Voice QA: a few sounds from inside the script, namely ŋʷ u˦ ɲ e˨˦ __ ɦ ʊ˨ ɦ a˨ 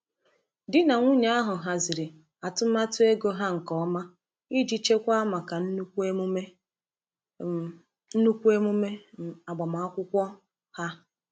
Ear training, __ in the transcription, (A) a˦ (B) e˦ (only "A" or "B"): A